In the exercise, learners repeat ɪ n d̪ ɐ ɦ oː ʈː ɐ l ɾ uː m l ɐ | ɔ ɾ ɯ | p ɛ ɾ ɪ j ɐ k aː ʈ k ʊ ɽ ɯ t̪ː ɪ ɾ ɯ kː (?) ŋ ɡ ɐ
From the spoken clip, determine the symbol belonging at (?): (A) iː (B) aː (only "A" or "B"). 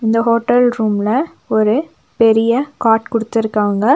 B